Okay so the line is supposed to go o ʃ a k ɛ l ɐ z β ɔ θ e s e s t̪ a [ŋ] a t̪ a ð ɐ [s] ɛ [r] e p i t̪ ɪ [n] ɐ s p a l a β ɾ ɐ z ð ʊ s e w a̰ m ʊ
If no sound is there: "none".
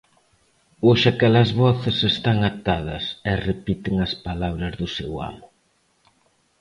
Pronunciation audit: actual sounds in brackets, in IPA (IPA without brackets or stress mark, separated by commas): ŋ, s, r, ŋ